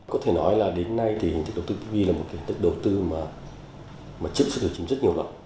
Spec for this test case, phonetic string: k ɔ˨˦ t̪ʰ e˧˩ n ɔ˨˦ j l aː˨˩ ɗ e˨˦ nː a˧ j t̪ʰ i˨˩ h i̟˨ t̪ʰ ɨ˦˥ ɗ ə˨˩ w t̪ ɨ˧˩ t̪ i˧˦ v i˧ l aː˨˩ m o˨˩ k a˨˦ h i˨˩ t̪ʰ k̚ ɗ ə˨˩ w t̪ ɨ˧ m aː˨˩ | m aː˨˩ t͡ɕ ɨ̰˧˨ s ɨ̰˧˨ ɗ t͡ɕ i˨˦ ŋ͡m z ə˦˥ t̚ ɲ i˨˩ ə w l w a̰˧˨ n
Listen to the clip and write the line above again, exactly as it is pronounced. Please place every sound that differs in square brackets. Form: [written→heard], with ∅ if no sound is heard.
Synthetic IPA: k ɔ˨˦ t̪ʰ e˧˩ n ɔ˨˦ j l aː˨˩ ɗ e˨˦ nː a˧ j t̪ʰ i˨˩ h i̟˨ [t̪ʰ→t̪] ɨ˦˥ ɗ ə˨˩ w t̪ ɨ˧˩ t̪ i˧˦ v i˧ l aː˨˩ m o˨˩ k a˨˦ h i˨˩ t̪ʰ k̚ ɗ ə˨˩ w t̪ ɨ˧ m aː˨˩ | m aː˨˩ t͡ɕ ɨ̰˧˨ s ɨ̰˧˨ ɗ t͡ɕ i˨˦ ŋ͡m z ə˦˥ t̚ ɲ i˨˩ ə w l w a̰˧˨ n